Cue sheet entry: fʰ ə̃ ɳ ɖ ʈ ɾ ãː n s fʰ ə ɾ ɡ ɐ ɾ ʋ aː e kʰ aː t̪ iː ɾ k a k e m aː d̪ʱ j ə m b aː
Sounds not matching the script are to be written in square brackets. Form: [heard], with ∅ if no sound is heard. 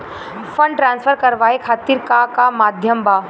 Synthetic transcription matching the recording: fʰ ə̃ ɳ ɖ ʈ ɾ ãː n s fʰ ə ɾ [k] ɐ ɾ ʋ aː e kʰ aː t̪ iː ɾ k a k [a] m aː d̪ʱ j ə m b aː

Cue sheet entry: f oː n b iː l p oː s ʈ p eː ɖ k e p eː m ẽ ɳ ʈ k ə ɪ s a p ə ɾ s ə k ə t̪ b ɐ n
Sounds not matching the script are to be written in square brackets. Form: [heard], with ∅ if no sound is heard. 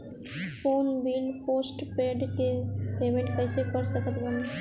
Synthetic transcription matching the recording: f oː n b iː l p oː s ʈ p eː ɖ k e p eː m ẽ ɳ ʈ k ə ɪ s [e] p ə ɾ s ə k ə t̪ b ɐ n

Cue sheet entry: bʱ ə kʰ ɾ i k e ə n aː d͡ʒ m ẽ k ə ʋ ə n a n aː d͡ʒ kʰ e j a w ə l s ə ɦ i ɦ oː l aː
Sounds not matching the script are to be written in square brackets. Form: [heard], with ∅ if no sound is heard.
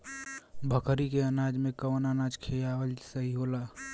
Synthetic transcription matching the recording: bʱ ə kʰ ɾ i k e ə n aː d͡ʒ m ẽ k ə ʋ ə n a n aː d͡ʒ kʰ e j a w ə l s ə ɦ i ɦ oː l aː

